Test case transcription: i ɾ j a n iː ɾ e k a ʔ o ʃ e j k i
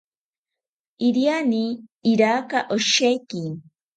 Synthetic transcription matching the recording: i ɾ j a n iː ɾ a k a ʔ o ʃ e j k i